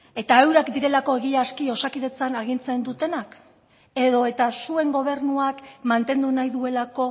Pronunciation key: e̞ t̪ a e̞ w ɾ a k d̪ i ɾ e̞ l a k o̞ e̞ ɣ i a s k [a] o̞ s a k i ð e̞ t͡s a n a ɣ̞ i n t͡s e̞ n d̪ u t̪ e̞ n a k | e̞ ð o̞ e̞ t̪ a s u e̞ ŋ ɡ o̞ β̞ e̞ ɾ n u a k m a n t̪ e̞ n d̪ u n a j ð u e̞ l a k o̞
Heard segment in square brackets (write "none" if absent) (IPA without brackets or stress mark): i